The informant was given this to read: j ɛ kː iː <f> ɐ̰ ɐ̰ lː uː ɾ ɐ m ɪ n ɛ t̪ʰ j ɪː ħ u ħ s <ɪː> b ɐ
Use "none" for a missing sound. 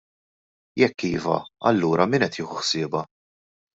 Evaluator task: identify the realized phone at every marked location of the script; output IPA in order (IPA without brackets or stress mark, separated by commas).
v, ɪː